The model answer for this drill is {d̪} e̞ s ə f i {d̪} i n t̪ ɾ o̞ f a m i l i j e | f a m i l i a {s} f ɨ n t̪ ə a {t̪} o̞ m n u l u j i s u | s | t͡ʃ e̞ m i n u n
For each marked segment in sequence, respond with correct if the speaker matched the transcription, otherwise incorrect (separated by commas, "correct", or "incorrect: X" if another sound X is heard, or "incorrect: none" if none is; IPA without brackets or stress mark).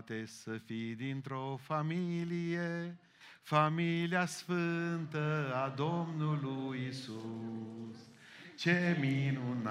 incorrect: t̪, correct, correct, incorrect: d̪